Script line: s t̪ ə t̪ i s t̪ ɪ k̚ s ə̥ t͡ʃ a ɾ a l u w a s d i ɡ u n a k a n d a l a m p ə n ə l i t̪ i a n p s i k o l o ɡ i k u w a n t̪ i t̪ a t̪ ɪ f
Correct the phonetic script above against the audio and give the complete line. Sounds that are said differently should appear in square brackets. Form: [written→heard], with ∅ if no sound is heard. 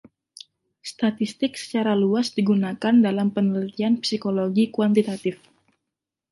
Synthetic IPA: s t̪ [ə→a] t̪ i s t̪ ɪ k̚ s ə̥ t͡ʃ a ɾ a l u [w→∅] a s d i ɡ u n a k a n d a l a m p ə n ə l i t̪ i a n p s i k o l o ɡ i k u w a n t̪ i t̪ a t̪ ɪ f